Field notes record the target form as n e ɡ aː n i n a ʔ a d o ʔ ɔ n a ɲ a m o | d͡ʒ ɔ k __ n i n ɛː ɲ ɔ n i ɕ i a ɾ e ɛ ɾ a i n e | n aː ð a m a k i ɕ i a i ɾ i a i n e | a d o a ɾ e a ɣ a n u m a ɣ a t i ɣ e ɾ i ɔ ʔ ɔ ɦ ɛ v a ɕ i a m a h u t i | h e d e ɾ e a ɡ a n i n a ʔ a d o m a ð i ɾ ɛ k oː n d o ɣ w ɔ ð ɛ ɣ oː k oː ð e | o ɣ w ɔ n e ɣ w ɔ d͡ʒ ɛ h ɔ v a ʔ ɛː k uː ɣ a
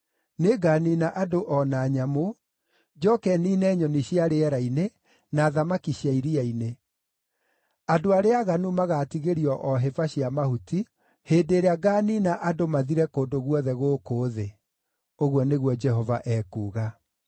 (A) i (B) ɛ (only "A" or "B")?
B